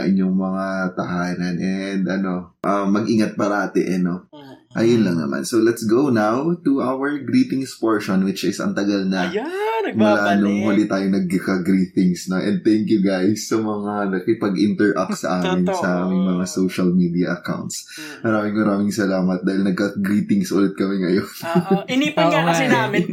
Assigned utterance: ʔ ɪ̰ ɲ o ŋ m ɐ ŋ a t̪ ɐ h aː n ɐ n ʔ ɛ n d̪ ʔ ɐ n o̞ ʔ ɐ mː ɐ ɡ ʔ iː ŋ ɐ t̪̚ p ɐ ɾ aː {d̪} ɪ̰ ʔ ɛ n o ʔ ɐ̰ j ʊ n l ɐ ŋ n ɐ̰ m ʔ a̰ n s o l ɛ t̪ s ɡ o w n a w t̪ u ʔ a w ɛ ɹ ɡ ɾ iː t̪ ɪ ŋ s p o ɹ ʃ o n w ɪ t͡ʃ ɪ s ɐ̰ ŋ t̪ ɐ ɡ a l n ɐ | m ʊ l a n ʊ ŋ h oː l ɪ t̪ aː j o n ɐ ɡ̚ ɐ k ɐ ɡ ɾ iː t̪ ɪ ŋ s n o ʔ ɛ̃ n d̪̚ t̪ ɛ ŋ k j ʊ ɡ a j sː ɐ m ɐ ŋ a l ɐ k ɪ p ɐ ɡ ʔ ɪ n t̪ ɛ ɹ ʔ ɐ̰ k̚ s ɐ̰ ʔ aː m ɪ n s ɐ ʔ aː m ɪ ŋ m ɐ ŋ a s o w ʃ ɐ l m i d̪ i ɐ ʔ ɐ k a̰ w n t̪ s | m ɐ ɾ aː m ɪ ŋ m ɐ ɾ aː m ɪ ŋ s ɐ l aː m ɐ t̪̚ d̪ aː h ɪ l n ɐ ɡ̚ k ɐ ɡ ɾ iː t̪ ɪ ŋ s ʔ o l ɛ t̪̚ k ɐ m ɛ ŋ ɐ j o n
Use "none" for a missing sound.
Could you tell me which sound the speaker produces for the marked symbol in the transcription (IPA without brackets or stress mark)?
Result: t̪